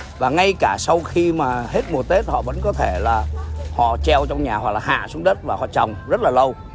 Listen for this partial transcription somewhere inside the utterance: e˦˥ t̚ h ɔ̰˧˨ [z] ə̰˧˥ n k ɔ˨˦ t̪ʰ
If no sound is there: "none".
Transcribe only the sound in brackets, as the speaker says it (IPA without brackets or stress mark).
v